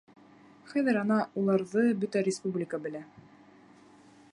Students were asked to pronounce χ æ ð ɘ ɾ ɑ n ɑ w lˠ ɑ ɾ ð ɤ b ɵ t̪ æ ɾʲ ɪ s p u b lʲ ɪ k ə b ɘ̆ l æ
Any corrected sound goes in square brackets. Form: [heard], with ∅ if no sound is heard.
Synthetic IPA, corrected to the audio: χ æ ð ɘ ɾ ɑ n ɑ [u] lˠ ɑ ɾ ð ɤ b ɵ t̪ æ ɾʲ ɪ s p u b lʲ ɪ k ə b ɘ̆ l æ